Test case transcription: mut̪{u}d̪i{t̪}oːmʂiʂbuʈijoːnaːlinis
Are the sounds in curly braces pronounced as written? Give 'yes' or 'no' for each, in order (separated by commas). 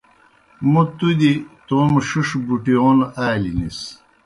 yes, yes